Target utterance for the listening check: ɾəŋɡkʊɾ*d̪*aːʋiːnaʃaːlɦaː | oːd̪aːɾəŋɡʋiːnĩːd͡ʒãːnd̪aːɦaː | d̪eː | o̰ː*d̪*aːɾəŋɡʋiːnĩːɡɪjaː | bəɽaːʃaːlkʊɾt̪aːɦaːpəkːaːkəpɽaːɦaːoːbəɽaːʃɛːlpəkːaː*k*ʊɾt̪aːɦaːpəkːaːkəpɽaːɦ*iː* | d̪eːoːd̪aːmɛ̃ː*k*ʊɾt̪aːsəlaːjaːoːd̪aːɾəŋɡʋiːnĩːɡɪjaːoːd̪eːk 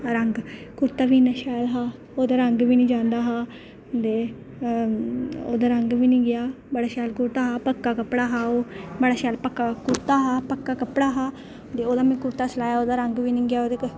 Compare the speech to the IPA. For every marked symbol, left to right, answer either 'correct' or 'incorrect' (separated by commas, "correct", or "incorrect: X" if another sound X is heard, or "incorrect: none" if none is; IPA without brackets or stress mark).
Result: incorrect: t̪, correct, correct, incorrect: aː, correct